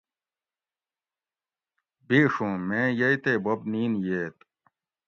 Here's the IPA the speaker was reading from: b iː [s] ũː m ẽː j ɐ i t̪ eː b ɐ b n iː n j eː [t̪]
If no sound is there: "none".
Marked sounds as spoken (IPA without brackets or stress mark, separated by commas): ʂ, t̪